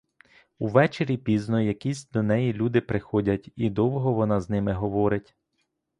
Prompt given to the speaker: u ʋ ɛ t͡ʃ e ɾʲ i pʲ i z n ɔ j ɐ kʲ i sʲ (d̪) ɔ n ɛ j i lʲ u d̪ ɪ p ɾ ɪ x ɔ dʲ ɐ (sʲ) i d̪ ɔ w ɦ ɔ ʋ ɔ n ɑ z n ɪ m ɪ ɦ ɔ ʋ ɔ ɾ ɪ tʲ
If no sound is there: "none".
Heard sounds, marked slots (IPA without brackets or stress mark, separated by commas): d̪, tʲ